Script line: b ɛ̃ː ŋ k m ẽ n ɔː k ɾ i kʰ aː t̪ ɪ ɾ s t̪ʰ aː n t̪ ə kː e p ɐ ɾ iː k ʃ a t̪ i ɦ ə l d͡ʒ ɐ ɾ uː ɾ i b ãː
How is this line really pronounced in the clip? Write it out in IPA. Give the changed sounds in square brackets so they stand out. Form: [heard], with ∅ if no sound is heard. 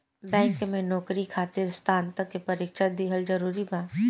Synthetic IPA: b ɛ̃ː ŋ k m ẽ n ɔː k ɾ i kʰ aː t̪ ɪ ɾ s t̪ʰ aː n t̪ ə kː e p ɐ ɾ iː k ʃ a [d̪] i ɦ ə l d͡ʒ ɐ ɾ uː ɾ i b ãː